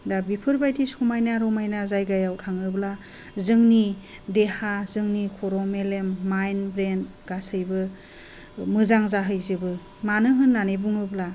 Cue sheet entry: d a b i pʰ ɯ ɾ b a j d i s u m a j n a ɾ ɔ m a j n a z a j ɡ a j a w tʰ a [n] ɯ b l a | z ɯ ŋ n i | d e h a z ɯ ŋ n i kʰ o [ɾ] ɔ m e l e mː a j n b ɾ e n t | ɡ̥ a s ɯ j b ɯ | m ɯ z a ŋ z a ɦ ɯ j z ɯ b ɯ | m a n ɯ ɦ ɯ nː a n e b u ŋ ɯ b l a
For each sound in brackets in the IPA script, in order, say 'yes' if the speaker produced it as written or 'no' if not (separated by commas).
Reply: no, yes